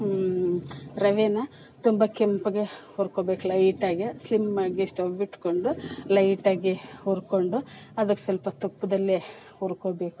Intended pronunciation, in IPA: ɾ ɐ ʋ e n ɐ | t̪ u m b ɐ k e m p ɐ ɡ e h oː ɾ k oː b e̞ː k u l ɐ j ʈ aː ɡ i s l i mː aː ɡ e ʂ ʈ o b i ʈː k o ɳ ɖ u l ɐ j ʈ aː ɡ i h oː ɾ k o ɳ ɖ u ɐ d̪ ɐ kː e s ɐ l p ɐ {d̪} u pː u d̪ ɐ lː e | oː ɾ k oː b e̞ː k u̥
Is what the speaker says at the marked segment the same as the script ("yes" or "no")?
no